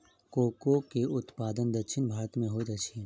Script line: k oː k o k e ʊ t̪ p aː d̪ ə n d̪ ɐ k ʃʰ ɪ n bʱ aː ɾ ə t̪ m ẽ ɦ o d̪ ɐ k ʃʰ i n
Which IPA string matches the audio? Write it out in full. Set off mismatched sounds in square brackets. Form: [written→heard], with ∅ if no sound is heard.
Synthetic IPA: k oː k o k e ʊ t̪ p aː d̪ ə n d̪ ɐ k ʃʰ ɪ n bʱ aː ɾ ə t̪ m ẽ ɦ o d̪ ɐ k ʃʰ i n